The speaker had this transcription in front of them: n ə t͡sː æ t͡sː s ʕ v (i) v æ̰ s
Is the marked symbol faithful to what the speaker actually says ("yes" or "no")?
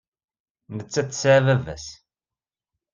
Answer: no